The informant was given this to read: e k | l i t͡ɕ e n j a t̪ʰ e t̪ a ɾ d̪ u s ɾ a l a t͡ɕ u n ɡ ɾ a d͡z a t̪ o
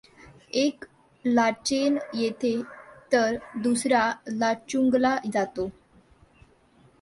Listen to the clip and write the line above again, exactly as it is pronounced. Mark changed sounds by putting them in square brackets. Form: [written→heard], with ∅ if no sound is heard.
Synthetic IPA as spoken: e k | l [i→a] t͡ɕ e n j [a→e] t̪ʰ e t̪ [a→ə] ɾ d̪ u s ɾ a l a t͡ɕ u [n→ŋ] ɡ [ɾ→l] a d͡z a t̪ o